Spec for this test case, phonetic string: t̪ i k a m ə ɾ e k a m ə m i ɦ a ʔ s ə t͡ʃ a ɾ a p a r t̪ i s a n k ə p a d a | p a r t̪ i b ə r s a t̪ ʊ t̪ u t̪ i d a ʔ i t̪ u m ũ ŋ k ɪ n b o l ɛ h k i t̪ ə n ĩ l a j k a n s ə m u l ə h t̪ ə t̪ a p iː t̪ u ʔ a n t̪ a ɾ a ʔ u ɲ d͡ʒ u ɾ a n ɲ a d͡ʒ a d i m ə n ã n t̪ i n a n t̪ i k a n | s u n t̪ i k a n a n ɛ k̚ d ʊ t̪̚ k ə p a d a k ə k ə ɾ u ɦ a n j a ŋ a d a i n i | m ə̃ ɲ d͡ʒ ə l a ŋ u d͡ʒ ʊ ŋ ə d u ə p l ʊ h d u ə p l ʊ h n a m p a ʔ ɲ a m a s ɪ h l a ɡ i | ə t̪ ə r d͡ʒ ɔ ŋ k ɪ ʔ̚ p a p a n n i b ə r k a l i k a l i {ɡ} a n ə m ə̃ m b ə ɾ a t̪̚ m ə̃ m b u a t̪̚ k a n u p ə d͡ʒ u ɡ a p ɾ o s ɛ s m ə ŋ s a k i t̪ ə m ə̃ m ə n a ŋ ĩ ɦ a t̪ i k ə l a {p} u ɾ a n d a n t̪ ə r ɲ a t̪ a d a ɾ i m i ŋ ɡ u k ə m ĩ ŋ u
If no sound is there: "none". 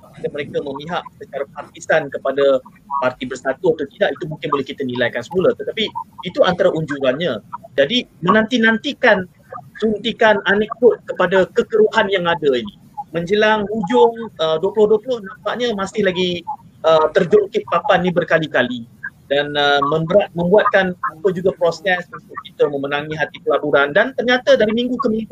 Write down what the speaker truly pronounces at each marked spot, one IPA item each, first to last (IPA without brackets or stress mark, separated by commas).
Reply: d, b